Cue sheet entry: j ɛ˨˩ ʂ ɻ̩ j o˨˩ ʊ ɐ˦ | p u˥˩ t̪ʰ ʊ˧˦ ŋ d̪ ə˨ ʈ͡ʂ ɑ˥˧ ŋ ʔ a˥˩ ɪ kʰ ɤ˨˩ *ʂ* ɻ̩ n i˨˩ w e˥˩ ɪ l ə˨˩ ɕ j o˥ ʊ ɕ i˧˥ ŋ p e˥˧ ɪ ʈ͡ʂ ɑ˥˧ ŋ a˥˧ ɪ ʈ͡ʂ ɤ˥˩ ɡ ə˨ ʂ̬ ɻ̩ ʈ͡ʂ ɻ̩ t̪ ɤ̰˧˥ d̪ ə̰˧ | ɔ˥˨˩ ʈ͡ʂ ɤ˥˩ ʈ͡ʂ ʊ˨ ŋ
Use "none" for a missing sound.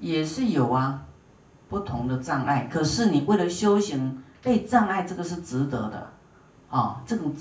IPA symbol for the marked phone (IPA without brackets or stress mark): ʂ